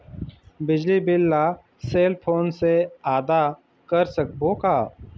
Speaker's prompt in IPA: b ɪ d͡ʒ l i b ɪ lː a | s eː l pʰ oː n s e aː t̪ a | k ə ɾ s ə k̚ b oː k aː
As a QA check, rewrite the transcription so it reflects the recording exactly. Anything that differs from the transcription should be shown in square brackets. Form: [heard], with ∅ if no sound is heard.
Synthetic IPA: b ɪ d͡ʒ l i b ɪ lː a | s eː l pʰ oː n s e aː [d̪] a | k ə ɾ s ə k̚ b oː k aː